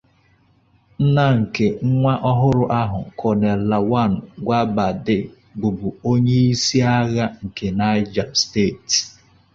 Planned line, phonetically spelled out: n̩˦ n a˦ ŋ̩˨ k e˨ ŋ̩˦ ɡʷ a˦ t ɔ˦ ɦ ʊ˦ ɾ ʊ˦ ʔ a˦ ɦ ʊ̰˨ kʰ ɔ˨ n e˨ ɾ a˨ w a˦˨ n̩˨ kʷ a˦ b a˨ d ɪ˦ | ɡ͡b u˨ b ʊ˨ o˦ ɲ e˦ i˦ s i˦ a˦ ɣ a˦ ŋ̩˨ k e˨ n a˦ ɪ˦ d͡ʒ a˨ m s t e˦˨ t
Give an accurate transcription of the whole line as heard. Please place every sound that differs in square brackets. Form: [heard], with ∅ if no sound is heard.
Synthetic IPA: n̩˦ n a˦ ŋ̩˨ k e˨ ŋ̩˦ [ŋʷ] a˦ [ʔ] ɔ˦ ɦ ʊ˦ ɾ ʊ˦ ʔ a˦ ɦ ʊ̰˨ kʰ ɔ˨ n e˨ [l] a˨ w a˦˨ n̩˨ [ɡʷ] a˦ b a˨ d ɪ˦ | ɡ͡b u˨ b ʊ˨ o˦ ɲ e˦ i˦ s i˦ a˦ ɣ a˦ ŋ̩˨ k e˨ n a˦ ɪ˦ d͡ʒ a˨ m s t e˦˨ t